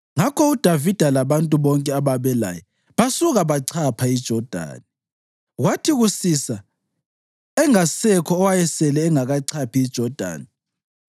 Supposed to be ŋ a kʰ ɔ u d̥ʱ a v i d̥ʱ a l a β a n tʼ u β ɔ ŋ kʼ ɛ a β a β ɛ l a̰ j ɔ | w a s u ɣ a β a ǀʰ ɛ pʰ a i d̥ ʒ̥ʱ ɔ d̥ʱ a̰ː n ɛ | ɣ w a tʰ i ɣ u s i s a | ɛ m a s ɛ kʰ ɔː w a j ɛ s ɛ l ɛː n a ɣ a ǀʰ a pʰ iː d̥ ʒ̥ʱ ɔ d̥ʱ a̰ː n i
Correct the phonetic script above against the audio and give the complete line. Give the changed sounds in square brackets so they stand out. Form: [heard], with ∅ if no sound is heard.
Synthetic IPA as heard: ŋ a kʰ ɔ u d̥ʱ a v i d̥ʱ a l a β a n tʼ u β ɔ ŋ kʼ ɛ a β a β ɛ l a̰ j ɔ | [β] a s u ɣ a β a ǀʰ [a] pʰ a i d̥ ʒ̥ʱ ɔ d̥ʱ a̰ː n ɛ | ɣ w a tʰ i ɣ u s i s a | ɛ [ŋ] a s ɛ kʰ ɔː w a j ɛ s ɛ l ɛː [ŋ] a ɣ a ǀʰ a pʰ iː d̥ ʒ̥ʱ ɔ d̥ʱ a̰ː n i